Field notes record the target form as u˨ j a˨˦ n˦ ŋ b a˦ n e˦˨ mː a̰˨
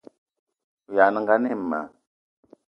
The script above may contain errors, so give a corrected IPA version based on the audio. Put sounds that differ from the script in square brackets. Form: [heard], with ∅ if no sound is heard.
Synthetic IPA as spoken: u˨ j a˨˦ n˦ ŋ [ɡ] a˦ n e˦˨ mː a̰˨